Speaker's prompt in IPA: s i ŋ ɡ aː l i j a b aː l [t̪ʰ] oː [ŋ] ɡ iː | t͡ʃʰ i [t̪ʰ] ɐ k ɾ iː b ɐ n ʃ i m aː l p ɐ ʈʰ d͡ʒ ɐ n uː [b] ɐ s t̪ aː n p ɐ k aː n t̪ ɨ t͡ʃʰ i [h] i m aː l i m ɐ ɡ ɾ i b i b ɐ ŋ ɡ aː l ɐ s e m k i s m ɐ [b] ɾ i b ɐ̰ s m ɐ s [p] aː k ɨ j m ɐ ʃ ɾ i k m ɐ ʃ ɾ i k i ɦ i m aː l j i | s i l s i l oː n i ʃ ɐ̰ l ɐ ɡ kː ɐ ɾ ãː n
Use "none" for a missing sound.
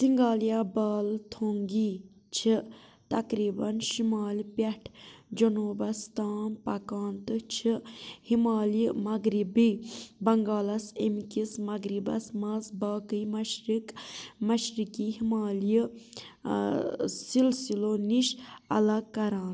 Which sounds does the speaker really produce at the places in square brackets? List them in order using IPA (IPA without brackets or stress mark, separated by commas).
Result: t̪ʰ, ŋ, t̪, b, h, ɡ, b